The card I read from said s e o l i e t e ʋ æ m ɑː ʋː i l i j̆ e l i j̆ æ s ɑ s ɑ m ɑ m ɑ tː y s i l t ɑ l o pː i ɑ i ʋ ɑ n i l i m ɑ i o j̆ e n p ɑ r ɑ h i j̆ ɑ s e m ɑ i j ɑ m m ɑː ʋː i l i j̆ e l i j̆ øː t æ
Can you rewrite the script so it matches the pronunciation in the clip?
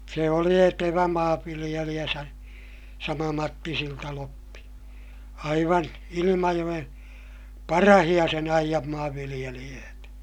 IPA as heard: s e o l i e t e ʋ æ m ɑː ʋː i l i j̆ e l i j̆ æ s ɑ s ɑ m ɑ m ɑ tː i s i l t ɑ l o pː i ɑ i ʋ ɑ n i l i m ɑ j o j̆ e n p ɑ r ɑ h i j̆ ɑ s e n ɑ i j ɑ m m ɑː ʋː i l i j̆ e l i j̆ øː t æ